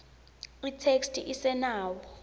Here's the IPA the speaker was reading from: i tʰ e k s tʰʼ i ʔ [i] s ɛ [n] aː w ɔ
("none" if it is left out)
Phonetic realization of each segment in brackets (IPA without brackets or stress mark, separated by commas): i, n